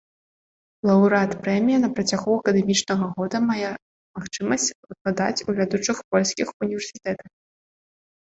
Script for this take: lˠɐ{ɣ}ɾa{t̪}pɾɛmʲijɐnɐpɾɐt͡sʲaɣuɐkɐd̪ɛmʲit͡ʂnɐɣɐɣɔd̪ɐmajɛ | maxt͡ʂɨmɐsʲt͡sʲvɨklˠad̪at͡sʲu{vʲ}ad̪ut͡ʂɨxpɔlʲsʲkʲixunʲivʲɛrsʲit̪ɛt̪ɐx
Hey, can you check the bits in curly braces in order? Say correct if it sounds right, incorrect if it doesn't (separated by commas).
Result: incorrect, correct, correct